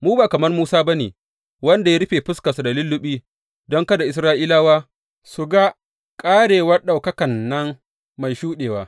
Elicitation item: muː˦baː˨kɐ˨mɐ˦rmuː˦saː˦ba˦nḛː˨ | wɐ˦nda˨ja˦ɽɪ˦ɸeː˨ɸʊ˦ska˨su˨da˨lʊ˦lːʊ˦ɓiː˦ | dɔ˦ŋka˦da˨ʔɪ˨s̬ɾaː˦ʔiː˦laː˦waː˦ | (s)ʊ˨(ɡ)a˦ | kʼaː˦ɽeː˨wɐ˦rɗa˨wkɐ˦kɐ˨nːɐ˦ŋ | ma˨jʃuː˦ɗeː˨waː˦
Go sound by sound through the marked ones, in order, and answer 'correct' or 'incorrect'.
correct, correct

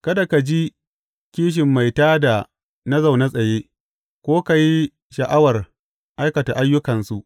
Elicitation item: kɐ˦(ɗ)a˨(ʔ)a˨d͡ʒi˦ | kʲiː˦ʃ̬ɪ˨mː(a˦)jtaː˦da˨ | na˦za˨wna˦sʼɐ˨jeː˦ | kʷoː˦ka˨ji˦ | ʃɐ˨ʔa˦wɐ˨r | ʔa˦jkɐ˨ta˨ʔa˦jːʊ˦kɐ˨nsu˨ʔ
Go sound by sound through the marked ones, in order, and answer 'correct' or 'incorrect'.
incorrect: d, incorrect: k, incorrect: a˨

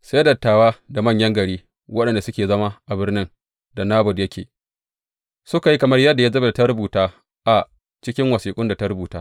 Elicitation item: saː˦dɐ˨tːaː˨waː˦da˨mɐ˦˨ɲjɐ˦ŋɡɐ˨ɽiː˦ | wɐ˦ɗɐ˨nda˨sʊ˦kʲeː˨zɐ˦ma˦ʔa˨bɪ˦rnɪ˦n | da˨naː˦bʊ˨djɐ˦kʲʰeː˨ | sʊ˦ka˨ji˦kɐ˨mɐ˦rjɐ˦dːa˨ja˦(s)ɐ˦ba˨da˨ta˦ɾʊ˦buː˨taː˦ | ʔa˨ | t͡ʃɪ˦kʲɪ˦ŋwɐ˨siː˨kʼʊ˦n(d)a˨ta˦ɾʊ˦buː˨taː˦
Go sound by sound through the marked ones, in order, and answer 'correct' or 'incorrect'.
incorrect: z, correct

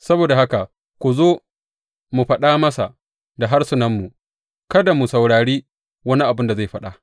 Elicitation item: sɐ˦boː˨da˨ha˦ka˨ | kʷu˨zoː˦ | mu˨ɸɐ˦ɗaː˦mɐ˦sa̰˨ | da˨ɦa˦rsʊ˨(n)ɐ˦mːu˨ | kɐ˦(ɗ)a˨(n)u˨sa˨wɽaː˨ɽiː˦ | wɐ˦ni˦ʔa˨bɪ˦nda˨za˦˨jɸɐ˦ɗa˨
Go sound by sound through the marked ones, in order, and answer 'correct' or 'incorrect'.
correct, incorrect: d, incorrect: m

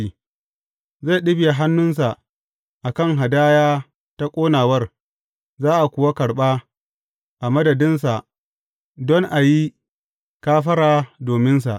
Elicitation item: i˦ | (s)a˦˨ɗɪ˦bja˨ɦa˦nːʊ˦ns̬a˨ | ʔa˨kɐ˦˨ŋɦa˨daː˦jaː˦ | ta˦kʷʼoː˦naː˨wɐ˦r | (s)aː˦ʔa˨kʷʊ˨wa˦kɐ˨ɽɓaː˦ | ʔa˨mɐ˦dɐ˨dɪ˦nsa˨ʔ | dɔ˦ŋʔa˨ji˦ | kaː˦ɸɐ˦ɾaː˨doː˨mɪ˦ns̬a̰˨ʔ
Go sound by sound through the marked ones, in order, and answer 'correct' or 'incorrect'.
incorrect: z, incorrect: z

